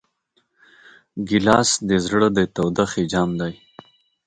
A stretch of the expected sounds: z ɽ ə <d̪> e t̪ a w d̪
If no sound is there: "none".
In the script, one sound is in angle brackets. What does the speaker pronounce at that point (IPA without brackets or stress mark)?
d̪